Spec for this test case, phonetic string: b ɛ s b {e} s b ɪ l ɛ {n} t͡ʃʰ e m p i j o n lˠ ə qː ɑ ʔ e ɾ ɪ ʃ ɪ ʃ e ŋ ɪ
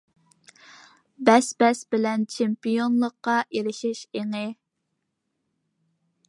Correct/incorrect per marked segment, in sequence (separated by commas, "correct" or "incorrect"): incorrect, correct